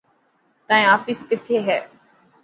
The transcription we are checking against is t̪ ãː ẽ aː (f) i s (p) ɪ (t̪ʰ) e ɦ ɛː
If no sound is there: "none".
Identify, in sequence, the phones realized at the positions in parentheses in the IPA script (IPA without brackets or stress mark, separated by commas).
f, k, t̪ʰ